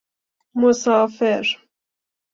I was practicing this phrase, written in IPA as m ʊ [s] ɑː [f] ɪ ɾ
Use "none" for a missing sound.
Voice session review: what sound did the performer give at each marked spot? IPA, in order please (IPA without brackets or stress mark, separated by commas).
s, f